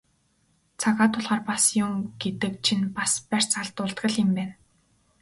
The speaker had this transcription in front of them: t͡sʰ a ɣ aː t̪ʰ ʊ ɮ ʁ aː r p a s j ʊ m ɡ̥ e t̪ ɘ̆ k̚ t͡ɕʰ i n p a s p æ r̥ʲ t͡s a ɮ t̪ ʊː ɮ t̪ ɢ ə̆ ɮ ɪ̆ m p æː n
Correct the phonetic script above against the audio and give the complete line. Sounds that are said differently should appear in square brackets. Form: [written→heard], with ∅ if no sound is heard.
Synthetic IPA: t͡sʰ a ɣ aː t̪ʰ ʊ ɮ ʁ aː r p a s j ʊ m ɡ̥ e t̪ ɘ̆ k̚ t͡ɕʰ i n p a s p æ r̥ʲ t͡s a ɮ t̪ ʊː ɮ t̪ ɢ ə̆ ɮ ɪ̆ m p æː n

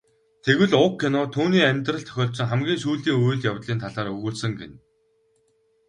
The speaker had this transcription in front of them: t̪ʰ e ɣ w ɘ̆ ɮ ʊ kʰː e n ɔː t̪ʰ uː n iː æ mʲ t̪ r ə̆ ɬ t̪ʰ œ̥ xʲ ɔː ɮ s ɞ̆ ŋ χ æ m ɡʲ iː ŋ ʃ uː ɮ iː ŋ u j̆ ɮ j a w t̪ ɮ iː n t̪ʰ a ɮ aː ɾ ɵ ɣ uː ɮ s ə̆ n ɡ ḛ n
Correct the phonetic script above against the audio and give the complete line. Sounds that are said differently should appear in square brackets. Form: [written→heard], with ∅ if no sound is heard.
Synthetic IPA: t̪ʰ e ɣ w ɘ̆ ɮ ʊ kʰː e n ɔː t̪ʰ uː n iː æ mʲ t̪ r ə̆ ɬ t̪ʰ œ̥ xʲ ɔː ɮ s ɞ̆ ŋ χ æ m ɡʲ iː ŋ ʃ uː ɮ iː ŋ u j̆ ɮ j a w t̪ ɮ iː n t̪ʰ a ɮ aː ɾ ɵ ɣ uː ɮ s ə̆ [n→ŋ] ɡ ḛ n

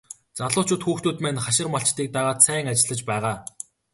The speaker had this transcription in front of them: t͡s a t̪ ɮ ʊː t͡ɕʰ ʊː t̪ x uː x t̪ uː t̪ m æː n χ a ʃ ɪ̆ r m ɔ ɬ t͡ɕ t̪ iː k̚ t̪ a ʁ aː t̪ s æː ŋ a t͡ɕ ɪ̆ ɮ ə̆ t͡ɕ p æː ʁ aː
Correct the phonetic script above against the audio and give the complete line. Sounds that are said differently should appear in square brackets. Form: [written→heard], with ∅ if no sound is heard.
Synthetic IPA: t͡s a [t̪→∅] ɮ ʊː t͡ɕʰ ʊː t̪ x uː x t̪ uː t̪ m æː n χ a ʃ ɪ̆ r m ɔ ɬ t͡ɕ t̪ iː k̚ t̪ a ʁ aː t̪ s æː ŋ a t͡ɕ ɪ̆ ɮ ə̆ t͡ɕ p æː ʁ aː

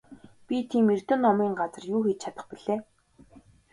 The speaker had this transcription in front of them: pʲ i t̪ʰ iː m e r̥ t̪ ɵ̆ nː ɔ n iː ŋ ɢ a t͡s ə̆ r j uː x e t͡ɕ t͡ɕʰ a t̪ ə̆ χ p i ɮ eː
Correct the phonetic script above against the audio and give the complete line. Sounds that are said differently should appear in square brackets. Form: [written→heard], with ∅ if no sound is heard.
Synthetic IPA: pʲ i t̪ʰ iː m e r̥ t̪ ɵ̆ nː ɔ [n→m] iː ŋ ɢ a t͡s ə̆ r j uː x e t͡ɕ t͡ɕʰ a t̪ ə̆ χ p i ɮ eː

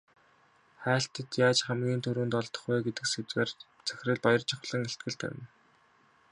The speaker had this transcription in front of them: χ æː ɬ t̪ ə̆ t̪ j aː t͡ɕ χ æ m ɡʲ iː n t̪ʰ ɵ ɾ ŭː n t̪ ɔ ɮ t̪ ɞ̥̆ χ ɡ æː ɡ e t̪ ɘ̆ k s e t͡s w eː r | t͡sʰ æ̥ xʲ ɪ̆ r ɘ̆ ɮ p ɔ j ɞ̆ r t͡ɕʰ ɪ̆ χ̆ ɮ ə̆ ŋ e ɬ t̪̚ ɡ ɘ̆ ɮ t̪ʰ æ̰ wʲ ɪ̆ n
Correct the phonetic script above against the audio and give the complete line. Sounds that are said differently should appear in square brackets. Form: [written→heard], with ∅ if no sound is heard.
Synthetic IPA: χ æː ɬ t̪ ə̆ t̪ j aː t͡ɕ χ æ m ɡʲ iː n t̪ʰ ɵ ɾ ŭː n t̪ ɔ ɮ t̪ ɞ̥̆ χ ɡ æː ɡ e t̪ ɘ̆ k s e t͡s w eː r | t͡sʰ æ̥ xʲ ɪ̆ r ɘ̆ ɮ p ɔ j ɞ̆ r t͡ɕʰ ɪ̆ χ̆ ɮ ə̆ ŋ e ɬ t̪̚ ɡ ɘ̆ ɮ t̪ʰ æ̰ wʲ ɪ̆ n

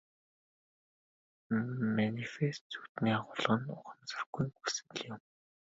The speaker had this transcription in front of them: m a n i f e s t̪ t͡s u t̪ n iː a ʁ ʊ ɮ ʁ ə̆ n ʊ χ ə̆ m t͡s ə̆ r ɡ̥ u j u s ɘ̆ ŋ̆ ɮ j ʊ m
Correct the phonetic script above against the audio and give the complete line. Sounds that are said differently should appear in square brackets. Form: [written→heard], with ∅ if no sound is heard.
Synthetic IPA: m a n i f e s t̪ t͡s u t̪ n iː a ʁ ʊ ɮ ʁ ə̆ n ʊ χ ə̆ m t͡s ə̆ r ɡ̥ u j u s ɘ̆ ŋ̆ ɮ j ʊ m

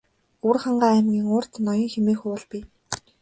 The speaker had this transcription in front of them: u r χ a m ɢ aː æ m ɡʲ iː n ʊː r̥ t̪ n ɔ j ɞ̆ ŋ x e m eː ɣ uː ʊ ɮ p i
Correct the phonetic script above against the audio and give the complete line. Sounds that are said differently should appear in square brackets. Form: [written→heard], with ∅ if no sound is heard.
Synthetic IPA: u r χ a [m→ɴ] ɢ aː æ m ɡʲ iː [n→ŋ] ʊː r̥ t̪ n ɔ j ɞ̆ ŋ x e m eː [ɣ→x] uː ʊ ɮ p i

